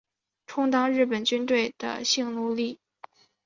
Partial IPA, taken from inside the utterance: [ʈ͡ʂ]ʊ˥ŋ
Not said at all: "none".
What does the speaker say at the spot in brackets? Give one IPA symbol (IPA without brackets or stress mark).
ʈ͡ʂʰ